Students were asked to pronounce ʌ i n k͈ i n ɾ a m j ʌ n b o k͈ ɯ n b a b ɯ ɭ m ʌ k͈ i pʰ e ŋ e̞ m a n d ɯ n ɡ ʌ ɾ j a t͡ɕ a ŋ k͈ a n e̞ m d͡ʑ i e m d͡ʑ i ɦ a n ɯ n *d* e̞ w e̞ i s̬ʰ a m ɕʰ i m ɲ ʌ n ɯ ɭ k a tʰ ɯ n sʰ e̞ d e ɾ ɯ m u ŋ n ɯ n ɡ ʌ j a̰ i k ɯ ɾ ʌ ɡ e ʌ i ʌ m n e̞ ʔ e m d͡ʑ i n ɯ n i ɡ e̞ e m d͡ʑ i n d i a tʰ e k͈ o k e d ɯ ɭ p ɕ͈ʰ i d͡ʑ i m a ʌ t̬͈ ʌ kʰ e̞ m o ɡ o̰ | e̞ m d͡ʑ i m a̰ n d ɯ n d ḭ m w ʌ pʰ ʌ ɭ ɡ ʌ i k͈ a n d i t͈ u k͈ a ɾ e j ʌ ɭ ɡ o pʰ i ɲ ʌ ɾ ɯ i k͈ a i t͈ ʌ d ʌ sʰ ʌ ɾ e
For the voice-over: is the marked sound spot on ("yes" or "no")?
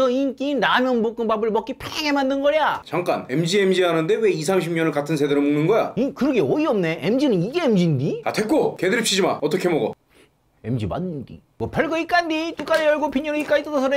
yes